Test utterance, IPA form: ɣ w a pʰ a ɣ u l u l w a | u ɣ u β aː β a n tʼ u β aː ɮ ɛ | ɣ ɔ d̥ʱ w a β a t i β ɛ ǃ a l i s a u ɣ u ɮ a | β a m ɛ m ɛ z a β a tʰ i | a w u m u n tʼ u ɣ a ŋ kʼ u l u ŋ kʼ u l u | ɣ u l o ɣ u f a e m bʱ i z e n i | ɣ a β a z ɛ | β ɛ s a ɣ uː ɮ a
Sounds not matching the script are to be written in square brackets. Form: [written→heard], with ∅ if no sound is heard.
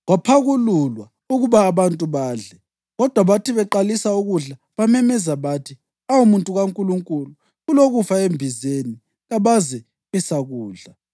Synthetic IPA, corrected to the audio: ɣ w a pʰ a ɣ u l u l w a | u ɣ u β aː β a n tʼ u β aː ɮ ɛ | ɣ ɔ d̥ʱ w a β a t i β ɛ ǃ a l i s a u ɣ u ɮ a | β a m ɛ m ɛ z a β a tʰ i | a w u m u n tʼ u ɣ a ŋ kʼ u l u ŋ kʼ u l u | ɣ u l o ɣ u f a e m bʱ i z e n i | ɣ a β a z ɛ | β ɛ s a ɣ uː ɮ a

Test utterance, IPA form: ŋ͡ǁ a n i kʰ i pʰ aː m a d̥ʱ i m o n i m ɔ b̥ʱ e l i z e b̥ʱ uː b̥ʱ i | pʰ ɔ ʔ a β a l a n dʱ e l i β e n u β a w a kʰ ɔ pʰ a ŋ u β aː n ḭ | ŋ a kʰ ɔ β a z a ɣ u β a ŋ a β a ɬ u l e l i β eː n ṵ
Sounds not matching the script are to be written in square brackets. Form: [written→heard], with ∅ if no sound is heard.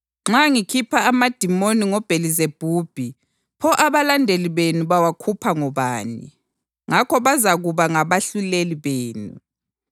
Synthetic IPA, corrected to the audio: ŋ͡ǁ a [n→ŋ] i kʰ i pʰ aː m a d̥ʱ i m o n i [m→ŋ] ɔ b̥ʱ e l i z e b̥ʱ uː b̥ʱ i | pʰ ɔ ʔ a β a l a n dʱ e l i β e n u β a w a kʰ [ɔ→u] pʰ a ŋ [u→ɔ] β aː n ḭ | ŋ a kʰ ɔ β a z a ɣ u β a ŋ a β a ɬ u l e l i β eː n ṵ

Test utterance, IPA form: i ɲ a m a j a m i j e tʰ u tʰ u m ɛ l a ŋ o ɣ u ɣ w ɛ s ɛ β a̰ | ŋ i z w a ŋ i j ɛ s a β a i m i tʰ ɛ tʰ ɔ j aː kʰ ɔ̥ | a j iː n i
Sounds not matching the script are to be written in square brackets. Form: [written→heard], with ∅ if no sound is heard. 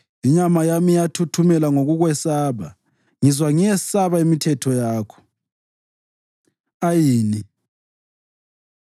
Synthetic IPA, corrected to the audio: i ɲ a m a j a m i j [e→a] tʰ u tʰ u m ɛ l a ŋ o ɣ u ɣ w ɛ s [ɛ→a] β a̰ | ŋ i z w a ŋ i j ɛ s a β a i m i tʰ ɛ tʰ ɔ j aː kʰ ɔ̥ | a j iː n i

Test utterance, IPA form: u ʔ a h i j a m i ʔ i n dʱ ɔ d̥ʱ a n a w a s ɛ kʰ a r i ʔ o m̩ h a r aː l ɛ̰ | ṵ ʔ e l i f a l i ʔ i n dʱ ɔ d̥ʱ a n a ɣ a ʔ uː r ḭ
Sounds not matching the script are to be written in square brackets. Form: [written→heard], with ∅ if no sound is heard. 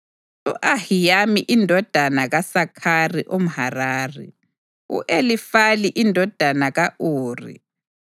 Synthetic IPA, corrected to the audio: u ʔ a h i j a m i ʔ i n dʱ ɔ d̥ʱ a n a [w→ɣ] a s [ɛ→a] kʰ a r i ʔ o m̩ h a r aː [l→r] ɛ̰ | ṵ ʔ e l i f a l i ʔ i n dʱ ɔ d̥ʱ a n a ɣ a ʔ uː r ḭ

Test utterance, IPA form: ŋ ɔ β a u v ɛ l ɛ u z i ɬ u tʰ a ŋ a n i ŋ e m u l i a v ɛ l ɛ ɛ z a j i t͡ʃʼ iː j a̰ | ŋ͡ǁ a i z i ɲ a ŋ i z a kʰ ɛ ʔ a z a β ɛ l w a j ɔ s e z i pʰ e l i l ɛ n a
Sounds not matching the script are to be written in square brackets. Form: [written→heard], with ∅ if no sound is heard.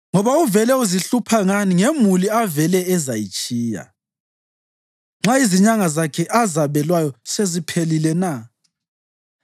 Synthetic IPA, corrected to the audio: ŋ ɔ β a u v ɛ l ɛ u z i ɬ u [tʰ→pʰ] a ŋ a n i ŋ e m u l i a v ɛ l ɛ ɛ z a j i t͡ʃʼ iː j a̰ | ŋ͡ǁ a i z i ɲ a ŋ [i→a] z a kʰ ɛ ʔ a z a β ɛ l w a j ɔ s e z i pʰ e l i l ɛ n a

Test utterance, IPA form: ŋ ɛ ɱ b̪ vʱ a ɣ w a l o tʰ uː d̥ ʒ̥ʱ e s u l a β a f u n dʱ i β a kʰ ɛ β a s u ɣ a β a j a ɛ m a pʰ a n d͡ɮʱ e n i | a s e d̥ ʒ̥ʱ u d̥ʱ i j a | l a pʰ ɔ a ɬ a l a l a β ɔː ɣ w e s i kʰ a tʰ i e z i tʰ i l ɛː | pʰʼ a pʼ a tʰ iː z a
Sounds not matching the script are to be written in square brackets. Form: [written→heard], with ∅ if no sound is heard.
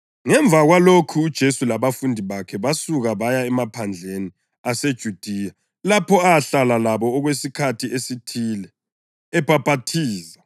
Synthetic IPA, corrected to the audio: ŋ ɛ ɱ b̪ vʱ a ɣ w a l o [tʰ→kʰ] uː d̥ ʒ̥ʱ e s u l a β a f u n dʱ i β a kʰ ɛ β a s u ɣ a β a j a ɛ m a pʰ a n d͡ɮʱ e n i | a s e d̥ ʒ̥ʱ u d̥ʱ i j a | l a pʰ ɔ a ɬ a l a l a β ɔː ɣ w e s i kʰ a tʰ i e [z→s] i tʰ i l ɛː | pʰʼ a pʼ a tʰ iː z a

